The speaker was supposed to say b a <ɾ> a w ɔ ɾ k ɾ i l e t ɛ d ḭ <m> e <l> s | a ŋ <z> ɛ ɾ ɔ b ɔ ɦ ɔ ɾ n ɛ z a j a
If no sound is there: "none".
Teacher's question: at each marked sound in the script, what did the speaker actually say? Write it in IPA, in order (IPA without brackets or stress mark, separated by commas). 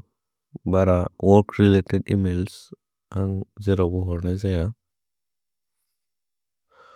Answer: ɾ, m, l, z